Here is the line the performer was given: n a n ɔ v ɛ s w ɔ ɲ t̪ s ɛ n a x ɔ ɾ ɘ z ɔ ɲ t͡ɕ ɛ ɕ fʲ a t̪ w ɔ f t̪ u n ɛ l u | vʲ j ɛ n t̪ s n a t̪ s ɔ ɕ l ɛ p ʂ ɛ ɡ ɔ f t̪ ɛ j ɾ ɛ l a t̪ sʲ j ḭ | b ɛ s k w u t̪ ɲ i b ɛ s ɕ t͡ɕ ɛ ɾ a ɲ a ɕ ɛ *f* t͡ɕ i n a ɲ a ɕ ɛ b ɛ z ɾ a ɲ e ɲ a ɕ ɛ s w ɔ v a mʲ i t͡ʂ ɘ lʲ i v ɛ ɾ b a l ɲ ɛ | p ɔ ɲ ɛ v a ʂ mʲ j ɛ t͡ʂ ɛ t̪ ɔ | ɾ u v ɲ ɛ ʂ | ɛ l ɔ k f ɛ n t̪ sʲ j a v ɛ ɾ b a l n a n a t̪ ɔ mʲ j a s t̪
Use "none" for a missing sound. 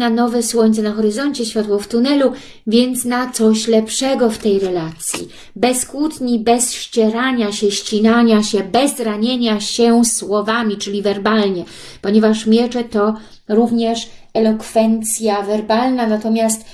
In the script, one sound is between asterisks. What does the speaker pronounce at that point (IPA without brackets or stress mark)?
ɕ